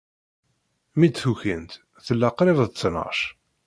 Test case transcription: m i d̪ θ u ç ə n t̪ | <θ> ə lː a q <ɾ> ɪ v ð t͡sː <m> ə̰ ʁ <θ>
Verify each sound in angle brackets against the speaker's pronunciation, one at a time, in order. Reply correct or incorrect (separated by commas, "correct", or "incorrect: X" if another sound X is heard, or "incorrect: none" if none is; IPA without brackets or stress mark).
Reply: correct, correct, incorrect: n, incorrect: ʃ